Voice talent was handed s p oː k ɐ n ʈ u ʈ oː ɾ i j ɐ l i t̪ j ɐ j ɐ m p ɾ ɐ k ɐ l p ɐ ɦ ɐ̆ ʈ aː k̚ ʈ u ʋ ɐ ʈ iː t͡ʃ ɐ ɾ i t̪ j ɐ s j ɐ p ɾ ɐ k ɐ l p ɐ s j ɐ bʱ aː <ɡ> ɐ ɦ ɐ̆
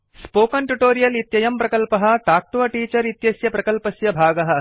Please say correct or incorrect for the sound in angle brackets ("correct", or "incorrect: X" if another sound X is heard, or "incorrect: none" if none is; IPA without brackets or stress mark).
correct